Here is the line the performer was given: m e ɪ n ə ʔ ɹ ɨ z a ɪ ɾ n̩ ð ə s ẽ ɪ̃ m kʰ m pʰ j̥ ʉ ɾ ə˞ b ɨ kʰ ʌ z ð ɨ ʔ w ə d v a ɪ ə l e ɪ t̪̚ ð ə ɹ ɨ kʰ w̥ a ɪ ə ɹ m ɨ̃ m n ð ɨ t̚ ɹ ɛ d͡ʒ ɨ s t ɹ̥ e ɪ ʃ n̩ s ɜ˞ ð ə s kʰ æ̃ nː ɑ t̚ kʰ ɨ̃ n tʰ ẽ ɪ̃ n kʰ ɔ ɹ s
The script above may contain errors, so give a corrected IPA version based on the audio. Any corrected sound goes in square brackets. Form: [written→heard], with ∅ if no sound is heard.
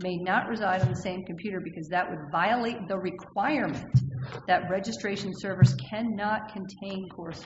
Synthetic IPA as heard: m e ɪ n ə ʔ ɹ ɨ z a ɪ ɾ n̩ ð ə s ẽ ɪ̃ m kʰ m pʰ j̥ ʉ ɾ ə˞ b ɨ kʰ ʌ z ð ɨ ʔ w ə d v a ɪ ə l e ɪ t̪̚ ð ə ɹ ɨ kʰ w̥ a ɪ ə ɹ m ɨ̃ [m→∅] n ð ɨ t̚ ɹ ɛ d͡ʒ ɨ s t ɹ̥ e ɪ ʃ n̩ s ɜ˞ [ð→v] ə s kʰ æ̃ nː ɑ t̚ kʰ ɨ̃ n tʰ ẽ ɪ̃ n kʰ ɔ ɹ s

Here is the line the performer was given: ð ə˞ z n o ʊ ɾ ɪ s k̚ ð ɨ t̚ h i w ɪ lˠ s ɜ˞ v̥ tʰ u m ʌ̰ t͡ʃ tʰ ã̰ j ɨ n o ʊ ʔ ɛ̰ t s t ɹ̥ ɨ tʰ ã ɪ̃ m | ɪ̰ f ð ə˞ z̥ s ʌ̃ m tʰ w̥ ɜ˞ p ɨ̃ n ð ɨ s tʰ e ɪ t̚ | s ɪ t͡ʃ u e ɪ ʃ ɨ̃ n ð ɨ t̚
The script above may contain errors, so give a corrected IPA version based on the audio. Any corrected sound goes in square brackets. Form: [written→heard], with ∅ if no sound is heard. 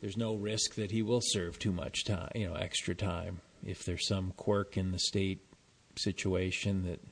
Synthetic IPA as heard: ð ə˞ z n o ʊ [ɾ→ɹ] ɪ s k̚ ð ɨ t̚ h i w ɪ lˠ s ɜ˞ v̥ tʰ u m ʌ̰ t͡ʃ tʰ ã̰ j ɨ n o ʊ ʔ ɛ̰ [t→k] s t ɹ̥ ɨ tʰ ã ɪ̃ m | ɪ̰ f ð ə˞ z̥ s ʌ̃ m [tʰ→kʰ] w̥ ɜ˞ [p→k] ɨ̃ n ð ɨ s [tʰ→t] e ɪ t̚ | s ɪ t͡ʃ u e ɪ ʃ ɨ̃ n ð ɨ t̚

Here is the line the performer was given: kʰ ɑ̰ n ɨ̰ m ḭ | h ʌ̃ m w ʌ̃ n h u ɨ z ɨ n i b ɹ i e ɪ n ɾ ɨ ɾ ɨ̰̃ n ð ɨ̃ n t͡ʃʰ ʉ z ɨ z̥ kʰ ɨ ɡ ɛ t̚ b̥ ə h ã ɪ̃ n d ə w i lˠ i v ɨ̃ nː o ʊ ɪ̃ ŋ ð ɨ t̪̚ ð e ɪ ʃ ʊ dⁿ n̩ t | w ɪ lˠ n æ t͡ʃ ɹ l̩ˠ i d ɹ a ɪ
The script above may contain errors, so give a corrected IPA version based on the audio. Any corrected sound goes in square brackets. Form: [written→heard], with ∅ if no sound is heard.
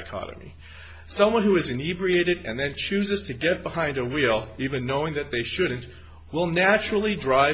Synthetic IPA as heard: kʰ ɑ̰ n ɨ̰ m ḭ | [h→s] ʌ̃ m w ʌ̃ n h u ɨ z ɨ n i b ɹ i e ɪ [n→∅] ɾ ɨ ɾ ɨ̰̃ n ð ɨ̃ n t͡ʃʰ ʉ z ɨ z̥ [kʰ→tʰ] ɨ ɡ ɛ t̚ b̥ ə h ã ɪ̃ n d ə w i lˠ i v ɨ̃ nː o ʊ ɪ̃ ŋ ð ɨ t̪̚ ð e ɪ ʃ ʊ dⁿ n̩ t | w ɪ lˠ n æ t͡ʃ ɹ l̩ˠ i d ɹ a ɪ

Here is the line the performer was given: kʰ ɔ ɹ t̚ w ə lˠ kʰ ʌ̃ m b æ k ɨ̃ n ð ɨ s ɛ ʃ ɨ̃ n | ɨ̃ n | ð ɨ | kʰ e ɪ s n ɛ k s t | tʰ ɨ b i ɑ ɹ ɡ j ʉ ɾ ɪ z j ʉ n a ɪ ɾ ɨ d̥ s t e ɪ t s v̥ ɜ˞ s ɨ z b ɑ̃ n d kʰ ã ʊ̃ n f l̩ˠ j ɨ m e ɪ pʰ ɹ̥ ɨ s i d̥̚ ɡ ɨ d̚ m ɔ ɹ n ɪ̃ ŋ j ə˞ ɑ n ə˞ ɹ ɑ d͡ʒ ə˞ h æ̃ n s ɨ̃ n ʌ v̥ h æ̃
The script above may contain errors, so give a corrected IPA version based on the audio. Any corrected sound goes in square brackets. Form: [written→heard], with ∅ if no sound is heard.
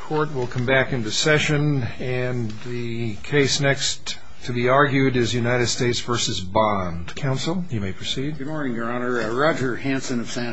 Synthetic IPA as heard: kʰ ɔ ɹ t̚ w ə lˠ kʰ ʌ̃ m b æ k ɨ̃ n ð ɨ s ɛ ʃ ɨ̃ n | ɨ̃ n | ð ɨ | kʰ e ɪ s n ɛ k s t | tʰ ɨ b i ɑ ɹ ɡ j ʉ ɾ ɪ z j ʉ n a ɪ ɾ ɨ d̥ s t e ɪ t s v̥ ɜ˞ s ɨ z b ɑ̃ n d kʰ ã ʊ̃ n [f→s] l̩ˠ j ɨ m e ɪ pʰ ɹ̥ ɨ s i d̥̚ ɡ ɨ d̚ m ɔ ɹ n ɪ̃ ŋ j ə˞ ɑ n ə˞ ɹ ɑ d͡ʒ ə˞ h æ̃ n s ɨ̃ n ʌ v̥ [h→s] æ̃

